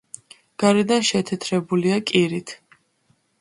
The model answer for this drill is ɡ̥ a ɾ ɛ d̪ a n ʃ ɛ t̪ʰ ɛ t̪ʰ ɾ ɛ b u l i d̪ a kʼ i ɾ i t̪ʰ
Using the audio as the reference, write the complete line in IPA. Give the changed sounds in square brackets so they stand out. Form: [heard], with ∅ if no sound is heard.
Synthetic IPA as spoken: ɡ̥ a ɾ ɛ d̪ a n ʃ ɛ t̪ʰ ɛ t̪ʰ ɾ ɛ b u l i [∅] a kʼ i ɾ i t̪ʰ